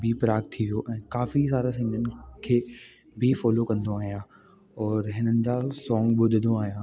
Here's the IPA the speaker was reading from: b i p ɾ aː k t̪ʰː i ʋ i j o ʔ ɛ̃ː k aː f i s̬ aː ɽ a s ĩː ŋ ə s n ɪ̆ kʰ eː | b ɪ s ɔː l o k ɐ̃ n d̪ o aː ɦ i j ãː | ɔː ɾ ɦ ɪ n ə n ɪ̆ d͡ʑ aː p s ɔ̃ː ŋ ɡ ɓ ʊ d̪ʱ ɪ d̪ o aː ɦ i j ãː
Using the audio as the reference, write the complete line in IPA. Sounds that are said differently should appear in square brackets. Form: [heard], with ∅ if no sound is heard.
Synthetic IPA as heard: b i p ɾ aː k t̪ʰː i ʋ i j o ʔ ɛ̃ː k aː f i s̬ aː [ɾ] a s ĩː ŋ ə [∅] n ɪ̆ kʰ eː | b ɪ [f] ɔː l o k ɐ̃ n d̪ o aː ɦ i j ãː | ɔː ɾ ɦ ɪ n ə n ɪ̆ d͡ʑ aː [∅] s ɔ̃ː ŋ ɡ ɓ ʊ d̪ʱ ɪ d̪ o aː ɦ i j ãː